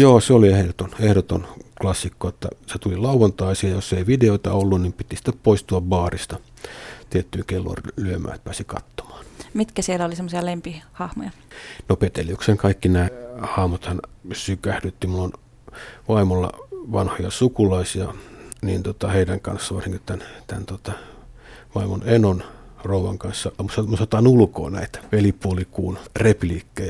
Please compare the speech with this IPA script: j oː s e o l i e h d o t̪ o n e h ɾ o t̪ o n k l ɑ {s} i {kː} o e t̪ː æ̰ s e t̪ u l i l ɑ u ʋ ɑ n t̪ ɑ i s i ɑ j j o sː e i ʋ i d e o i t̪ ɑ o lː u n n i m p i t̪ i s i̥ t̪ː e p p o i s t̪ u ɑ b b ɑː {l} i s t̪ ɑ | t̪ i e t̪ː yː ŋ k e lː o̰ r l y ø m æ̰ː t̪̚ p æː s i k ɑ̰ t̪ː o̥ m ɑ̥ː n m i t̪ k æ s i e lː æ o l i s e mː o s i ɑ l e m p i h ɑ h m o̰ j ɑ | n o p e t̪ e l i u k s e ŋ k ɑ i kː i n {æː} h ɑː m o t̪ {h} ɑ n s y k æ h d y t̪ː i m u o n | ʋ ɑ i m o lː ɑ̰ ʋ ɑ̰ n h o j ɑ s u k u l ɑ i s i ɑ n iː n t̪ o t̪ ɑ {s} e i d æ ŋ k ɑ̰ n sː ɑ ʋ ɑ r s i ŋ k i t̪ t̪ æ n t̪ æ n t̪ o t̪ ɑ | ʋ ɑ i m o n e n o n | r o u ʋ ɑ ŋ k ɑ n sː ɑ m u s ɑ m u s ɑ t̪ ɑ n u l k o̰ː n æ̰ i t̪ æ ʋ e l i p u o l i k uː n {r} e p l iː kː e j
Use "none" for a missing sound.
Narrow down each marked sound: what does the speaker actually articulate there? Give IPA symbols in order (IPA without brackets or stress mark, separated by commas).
sː, kː, r, æː, h, h, r